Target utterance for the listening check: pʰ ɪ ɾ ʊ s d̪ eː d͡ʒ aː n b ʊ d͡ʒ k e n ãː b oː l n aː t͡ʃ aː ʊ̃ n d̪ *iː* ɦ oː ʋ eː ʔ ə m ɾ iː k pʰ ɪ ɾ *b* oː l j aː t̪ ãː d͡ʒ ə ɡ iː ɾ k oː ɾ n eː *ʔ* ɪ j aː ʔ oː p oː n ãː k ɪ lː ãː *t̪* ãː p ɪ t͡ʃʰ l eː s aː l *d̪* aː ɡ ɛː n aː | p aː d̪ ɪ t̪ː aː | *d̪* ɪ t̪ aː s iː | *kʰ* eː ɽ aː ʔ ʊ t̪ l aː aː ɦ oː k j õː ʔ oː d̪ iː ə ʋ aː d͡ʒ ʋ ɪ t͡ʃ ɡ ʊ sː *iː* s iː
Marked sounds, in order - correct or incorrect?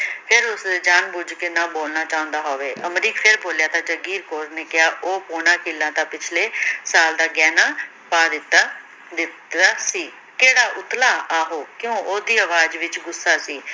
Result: incorrect: aː, correct, incorrect: k, correct, correct, correct, incorrect: k, incorrect: aː

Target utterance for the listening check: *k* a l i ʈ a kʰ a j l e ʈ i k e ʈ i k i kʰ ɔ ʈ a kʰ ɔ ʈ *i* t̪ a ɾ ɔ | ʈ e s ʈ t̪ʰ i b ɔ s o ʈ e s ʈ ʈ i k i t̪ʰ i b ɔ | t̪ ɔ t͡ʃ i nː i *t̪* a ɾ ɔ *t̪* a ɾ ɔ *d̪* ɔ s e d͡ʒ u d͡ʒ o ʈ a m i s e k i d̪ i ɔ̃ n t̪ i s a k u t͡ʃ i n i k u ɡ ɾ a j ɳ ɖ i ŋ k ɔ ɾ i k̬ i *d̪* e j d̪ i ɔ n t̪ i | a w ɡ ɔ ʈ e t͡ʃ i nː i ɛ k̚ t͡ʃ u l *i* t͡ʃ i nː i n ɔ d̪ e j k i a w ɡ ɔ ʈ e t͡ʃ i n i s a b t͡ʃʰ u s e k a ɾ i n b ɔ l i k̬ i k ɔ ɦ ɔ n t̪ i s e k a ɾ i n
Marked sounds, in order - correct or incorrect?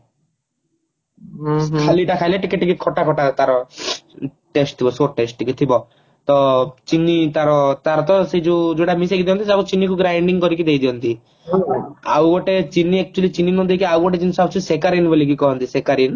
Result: incorrect: kʰ, incorrect: a, correct, correct, incorrect: t̪, correct, correct

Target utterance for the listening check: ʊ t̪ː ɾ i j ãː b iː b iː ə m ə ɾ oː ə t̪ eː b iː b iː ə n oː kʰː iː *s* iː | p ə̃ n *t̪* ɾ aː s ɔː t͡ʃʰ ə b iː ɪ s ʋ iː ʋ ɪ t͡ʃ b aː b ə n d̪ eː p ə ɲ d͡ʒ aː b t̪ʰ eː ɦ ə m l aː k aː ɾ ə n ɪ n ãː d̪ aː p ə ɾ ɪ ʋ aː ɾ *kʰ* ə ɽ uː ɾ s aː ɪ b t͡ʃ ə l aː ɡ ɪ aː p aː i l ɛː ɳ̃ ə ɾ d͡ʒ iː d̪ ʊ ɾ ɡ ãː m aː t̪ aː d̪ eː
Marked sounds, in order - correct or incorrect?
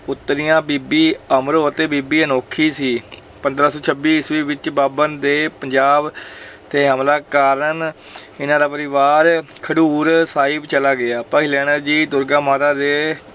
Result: correct, incorrect: d̪, correct

